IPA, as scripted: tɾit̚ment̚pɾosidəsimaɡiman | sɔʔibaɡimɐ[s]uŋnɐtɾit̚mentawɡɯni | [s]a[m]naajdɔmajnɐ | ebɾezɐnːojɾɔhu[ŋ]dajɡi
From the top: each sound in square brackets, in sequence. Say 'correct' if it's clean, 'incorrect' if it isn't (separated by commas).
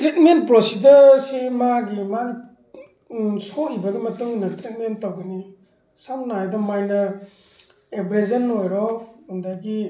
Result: incorrect, correct, correct, incorrect